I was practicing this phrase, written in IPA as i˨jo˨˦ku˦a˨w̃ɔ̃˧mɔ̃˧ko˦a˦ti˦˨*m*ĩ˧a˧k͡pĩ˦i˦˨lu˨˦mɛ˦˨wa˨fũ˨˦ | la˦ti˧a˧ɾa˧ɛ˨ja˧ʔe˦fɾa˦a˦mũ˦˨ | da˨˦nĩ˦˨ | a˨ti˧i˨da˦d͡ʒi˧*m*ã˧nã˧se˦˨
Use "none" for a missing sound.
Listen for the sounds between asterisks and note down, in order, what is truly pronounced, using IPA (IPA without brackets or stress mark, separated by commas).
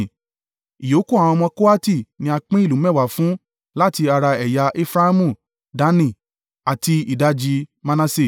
n, m